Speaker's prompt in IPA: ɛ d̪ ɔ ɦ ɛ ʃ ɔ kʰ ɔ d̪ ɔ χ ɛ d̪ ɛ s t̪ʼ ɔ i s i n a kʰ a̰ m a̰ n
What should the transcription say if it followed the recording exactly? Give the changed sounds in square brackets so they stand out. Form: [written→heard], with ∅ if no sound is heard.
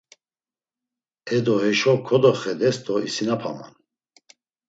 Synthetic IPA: ɛ d̪ ɔ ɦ ɛ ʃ ɔ kʰ ɔ d̪ ɔ χ ɛ d̪ ɛ s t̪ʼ ɔ i s i n a [kʰ→pʰ] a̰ m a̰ n